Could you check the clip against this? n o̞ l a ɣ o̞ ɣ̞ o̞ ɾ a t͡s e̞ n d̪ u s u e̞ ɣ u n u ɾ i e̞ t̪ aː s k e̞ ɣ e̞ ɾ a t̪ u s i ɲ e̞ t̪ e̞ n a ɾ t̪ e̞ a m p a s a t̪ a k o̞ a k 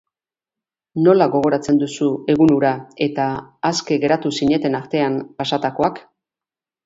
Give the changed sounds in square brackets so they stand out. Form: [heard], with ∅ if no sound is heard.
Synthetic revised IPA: n o̞ l a ɣ o̞ ɣ̞ o̞ ɾ a t͡s e̞ n d̪ u s u e̞ ɣ u n u ɾ [a] e̞ t̪ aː s k e̞ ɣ e̞ ɾ a t̪ u s i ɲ e̞ t̪ e̞ n a ɾ t̪ e̞ a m p a s a t̪ a k o̞ a k